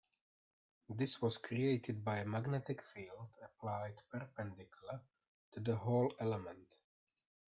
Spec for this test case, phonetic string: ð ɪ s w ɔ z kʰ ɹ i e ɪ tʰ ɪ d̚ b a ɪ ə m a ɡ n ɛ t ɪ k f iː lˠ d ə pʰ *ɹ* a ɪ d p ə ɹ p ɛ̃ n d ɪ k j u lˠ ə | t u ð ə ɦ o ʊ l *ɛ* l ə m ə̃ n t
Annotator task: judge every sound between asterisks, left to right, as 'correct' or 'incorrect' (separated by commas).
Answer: incorrect, correct